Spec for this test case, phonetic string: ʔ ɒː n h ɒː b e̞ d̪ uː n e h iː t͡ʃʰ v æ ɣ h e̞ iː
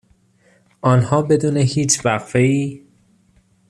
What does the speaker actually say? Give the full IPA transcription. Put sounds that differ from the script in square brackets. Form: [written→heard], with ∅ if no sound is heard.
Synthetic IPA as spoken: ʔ ɒː n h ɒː b e̞ d̪ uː n e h iː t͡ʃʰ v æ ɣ [h→f] e̞ iː